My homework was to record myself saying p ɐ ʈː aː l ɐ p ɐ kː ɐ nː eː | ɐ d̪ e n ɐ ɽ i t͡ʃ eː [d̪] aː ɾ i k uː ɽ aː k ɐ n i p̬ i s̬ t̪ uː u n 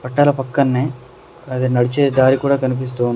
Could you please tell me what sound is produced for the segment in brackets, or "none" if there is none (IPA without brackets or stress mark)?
d̪